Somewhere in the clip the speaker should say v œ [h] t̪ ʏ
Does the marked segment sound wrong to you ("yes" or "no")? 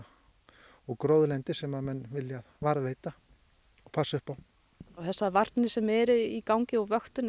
yes